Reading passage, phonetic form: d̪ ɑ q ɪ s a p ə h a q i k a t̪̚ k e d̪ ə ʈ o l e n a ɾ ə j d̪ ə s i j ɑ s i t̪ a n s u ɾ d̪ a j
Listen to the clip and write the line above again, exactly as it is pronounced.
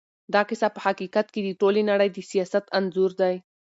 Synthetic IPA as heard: d̪ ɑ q ɪ s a p ə h a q i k a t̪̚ k e d̪ ə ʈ o l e n a ɽ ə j d̪ ə s i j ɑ s a t̪ a n z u ɾ d̪ a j

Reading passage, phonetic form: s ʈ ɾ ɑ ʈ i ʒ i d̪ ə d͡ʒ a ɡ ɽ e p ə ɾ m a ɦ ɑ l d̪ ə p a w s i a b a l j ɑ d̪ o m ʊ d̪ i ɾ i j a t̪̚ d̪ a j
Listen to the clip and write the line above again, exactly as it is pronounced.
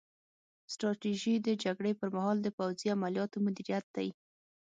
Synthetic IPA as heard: s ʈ ɾ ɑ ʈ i ʒ i d̪ ə d͡ʒ a ɡ ɽ e p ə ɾ m a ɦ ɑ l d̪ ə p a w z i a m a l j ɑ t̪ o m ʊ d̪ i ɾ i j a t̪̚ d̪ a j

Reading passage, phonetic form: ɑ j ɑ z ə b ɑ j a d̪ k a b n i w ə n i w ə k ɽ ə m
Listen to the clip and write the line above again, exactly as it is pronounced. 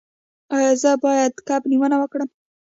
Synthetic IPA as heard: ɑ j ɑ z ə b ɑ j a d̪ k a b n i w ə n a w ə k ɽ ə m

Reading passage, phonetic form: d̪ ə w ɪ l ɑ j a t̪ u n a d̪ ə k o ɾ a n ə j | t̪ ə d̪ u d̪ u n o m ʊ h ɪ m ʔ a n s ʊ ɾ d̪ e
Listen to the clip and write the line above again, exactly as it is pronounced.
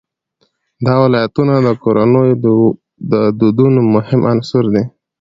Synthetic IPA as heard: d̪ ɑ w ɪ l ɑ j a t̪ u n a d̪ ə k o ɾ a n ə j | d̪ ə d̪ u d̪ u n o m ʊ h ɪ m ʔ a n s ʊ ɾ d̪ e

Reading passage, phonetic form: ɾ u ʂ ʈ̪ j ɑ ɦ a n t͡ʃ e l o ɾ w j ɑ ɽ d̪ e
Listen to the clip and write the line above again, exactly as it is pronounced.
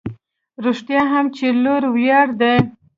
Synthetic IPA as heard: ɾ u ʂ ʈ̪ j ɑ ɦ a m t͡ʃ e l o ɾ w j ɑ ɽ d̪ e

